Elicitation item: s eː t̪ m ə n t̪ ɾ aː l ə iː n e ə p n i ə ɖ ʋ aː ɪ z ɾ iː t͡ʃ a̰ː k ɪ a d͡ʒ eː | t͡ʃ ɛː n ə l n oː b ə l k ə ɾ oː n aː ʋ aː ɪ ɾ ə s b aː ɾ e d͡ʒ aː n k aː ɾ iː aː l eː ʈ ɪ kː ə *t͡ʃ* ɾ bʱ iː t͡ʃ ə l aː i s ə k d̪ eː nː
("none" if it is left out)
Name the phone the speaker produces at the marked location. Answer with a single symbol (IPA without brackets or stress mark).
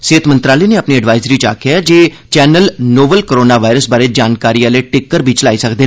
none